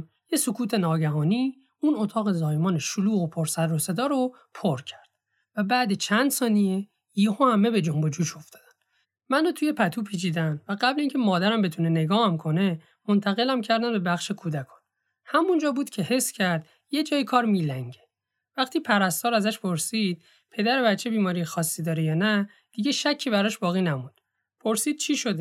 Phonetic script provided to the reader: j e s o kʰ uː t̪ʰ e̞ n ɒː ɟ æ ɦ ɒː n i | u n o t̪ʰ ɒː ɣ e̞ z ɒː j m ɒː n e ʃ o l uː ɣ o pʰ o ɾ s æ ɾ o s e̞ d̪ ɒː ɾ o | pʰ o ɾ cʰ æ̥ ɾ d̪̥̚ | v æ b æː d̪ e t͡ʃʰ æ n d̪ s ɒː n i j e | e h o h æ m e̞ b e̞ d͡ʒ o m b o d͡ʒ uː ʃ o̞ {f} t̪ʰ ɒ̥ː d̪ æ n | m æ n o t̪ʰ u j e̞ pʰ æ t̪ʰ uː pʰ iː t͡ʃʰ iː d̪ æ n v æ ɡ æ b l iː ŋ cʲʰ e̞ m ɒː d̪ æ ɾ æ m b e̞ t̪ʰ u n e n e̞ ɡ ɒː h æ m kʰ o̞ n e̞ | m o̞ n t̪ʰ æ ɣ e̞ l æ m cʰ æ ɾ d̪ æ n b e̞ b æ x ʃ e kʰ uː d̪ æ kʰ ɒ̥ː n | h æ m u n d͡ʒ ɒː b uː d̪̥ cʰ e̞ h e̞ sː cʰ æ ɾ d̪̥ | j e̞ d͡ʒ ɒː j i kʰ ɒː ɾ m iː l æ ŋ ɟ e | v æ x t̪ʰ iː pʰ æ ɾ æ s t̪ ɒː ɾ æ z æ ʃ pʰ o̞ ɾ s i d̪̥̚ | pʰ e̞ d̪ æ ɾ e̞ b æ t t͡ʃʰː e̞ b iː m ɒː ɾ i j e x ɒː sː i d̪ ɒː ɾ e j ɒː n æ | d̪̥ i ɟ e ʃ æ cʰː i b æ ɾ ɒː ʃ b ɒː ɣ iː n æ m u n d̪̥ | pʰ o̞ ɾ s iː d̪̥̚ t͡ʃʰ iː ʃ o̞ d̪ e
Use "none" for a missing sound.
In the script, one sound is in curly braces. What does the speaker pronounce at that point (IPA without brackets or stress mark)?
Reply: f